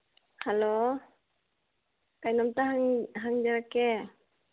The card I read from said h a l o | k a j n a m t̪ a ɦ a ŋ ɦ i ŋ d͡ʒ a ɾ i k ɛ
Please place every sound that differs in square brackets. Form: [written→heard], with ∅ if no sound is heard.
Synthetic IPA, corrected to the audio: h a l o | k a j n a m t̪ a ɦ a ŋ ɦ [i→a] ŋ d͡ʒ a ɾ [i→a] k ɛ